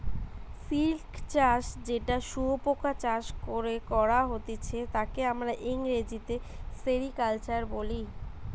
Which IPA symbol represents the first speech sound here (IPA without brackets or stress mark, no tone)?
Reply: s